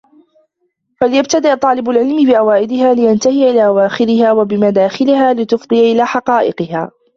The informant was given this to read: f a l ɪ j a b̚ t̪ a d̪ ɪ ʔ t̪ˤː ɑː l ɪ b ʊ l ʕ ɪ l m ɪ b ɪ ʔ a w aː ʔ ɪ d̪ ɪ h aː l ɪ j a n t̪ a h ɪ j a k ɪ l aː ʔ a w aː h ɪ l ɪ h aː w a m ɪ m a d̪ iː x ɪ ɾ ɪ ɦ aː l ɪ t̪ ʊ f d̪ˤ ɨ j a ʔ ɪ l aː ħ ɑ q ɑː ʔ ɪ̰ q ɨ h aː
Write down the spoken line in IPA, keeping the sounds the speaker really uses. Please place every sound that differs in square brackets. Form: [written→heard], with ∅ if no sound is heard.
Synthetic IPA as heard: f a l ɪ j a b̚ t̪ a d̪ ɪ ʔ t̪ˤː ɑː l ɪ b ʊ l ʕ ɪ l m ɪ b ɪ ʔ a w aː ʔ ɪ d̪ ɪ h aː l ɪ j a n t̪ a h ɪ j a [k→ʔ] ɪ l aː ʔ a w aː [h→x] ɪ [l→ɾ] ɪ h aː w a [m→b] ɪ m a d̪ [iː→aː] x ɪ [ɾ→l] ɪ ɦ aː l ɪ t̪ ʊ f d̪ˤ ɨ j a ʔ ɪ l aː ħ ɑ q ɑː ʔ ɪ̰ q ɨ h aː